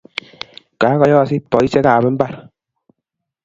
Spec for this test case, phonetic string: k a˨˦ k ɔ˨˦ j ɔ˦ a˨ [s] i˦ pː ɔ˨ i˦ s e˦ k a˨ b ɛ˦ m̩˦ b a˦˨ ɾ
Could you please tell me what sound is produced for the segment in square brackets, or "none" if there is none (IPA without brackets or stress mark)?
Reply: s